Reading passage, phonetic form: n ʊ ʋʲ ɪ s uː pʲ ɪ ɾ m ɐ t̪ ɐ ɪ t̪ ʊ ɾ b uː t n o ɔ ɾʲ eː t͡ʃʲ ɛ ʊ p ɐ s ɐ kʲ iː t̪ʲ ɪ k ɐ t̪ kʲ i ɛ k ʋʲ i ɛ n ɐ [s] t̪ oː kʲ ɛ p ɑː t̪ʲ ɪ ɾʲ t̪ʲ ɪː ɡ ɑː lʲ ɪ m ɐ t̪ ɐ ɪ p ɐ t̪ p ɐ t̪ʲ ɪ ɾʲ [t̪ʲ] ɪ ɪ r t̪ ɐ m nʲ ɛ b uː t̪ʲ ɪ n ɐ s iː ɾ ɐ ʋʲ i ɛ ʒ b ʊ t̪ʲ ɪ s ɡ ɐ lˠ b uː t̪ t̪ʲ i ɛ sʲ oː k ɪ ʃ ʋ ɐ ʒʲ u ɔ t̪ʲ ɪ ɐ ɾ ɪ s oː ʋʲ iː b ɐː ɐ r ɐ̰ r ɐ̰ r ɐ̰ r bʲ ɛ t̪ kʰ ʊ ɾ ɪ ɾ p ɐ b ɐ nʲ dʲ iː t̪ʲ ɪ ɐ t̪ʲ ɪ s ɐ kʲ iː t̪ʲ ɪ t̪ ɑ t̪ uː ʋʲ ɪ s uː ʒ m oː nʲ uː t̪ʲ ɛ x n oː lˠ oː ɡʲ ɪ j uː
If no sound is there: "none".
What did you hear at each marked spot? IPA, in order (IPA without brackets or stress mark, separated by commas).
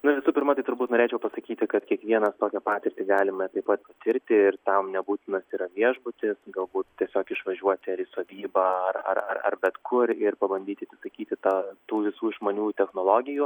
s, t̪ʲ